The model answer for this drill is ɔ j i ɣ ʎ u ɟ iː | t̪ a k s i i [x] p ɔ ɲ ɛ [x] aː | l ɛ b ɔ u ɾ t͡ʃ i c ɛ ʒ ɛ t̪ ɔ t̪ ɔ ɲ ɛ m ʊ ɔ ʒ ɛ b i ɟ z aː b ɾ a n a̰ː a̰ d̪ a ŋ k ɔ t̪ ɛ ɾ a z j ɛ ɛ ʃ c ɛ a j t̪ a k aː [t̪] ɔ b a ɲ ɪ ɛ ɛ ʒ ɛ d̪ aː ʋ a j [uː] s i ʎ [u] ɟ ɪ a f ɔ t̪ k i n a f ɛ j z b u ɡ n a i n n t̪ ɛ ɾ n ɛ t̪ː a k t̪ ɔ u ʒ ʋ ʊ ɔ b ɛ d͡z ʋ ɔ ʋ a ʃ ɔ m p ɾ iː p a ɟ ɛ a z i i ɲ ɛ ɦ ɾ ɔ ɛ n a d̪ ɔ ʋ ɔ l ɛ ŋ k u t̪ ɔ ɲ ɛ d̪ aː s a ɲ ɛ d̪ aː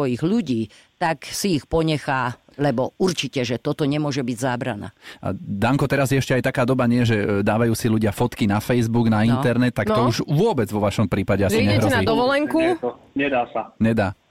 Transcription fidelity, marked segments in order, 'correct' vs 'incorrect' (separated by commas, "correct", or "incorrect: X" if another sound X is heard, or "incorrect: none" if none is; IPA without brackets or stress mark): correct, correct, incorrect: d̪, correct, correct